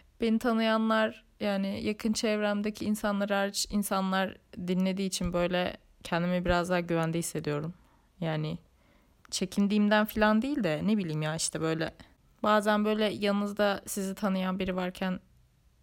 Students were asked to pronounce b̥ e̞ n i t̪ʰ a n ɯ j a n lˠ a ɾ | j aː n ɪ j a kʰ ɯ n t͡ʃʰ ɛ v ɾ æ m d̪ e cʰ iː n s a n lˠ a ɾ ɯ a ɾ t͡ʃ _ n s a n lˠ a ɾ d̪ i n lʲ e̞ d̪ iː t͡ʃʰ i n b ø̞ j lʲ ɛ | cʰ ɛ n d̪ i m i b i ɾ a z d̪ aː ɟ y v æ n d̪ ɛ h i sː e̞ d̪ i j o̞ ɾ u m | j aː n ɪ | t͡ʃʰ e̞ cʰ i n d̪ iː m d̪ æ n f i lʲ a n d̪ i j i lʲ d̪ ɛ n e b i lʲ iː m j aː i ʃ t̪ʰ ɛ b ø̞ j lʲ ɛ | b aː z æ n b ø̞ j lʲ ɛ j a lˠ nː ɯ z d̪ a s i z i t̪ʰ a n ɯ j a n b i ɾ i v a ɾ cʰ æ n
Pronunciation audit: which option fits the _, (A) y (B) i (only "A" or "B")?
B